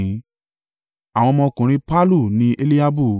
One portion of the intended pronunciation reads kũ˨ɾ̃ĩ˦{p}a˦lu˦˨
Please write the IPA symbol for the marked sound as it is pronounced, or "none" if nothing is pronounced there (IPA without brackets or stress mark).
p